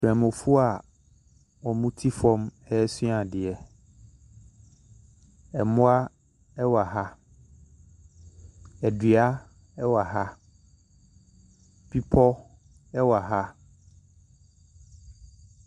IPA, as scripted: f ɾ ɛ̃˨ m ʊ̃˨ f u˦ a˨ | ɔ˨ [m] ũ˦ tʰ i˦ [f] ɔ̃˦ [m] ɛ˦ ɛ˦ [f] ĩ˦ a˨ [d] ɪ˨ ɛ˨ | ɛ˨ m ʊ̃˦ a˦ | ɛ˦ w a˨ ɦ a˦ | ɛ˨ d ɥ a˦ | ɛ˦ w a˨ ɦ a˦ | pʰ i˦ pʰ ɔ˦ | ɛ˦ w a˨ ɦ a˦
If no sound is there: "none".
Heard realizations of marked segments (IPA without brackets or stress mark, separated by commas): m, f, m, s, d